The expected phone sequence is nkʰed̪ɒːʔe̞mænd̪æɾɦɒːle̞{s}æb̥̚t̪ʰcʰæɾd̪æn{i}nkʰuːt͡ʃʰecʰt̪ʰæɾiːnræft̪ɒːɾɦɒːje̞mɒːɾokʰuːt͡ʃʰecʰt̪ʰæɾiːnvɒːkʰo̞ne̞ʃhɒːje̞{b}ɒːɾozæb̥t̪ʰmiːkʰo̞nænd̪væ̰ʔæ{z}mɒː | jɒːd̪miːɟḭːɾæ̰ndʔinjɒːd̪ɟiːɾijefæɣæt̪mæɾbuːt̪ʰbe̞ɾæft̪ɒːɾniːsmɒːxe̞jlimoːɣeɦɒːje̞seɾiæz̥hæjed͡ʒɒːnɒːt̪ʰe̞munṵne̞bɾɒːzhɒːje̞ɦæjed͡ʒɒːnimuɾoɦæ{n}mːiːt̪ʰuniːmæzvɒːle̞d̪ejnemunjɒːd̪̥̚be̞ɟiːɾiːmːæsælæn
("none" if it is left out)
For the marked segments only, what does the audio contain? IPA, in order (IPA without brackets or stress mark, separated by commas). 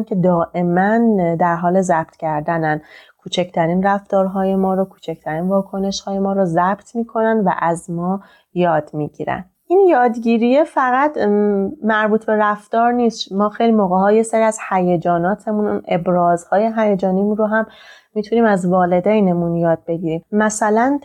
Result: z, æ, m, z, m